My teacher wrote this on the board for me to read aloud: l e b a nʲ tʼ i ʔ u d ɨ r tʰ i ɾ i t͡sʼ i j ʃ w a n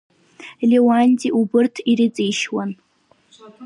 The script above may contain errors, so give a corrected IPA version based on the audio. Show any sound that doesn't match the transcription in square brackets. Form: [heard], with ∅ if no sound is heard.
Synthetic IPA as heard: l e [w] a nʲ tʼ i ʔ u [b] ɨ r tʰ i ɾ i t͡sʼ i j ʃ w a n